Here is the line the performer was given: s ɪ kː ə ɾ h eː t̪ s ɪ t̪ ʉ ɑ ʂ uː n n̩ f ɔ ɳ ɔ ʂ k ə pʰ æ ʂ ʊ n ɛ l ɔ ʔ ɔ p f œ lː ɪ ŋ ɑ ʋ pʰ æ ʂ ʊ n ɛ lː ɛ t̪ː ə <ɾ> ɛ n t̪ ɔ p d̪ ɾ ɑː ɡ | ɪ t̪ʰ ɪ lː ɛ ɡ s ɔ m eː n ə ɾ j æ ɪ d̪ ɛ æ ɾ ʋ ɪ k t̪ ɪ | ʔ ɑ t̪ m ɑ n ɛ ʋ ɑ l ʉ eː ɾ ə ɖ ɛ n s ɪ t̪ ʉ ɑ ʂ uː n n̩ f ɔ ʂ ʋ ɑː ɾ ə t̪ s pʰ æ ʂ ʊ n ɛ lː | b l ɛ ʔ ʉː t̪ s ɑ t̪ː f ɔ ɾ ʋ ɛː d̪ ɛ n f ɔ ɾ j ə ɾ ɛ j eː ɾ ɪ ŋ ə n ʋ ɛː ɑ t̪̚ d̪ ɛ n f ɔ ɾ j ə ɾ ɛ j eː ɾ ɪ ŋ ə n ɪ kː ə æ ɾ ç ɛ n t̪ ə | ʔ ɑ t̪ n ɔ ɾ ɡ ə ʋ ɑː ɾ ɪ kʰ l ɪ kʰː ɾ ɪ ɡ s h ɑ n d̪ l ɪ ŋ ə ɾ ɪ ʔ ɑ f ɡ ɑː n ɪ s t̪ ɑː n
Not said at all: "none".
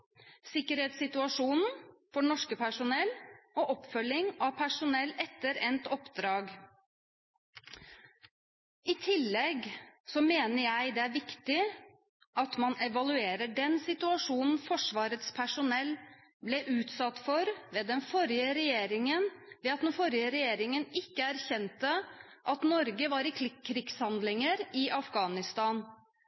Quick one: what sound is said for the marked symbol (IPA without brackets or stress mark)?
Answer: ɾ